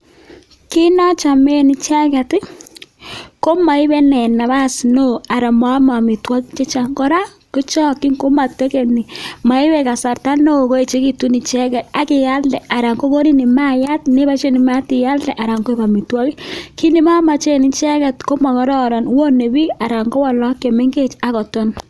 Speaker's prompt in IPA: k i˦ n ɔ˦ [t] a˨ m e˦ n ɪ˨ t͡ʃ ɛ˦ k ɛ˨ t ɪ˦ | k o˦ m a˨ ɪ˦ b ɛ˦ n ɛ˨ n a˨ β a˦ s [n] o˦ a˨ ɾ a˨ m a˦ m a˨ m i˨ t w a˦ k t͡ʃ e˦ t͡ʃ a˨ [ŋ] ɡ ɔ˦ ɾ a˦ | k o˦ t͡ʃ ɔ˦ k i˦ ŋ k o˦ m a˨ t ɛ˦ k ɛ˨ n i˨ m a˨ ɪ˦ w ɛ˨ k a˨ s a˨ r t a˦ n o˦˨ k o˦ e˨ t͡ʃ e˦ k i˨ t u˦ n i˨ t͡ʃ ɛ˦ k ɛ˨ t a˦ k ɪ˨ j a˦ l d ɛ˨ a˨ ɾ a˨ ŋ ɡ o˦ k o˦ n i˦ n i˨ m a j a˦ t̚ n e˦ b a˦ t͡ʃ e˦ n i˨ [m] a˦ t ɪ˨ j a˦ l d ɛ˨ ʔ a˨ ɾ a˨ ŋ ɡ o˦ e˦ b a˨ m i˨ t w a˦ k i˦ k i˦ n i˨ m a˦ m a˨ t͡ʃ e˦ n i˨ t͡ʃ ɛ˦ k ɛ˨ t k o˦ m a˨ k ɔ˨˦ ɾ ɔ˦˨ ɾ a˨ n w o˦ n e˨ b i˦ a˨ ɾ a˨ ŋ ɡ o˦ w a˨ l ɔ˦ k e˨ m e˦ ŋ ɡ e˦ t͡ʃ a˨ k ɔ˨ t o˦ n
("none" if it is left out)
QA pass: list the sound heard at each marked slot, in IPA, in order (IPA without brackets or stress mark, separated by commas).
t͡ʃ, n, ŋ, m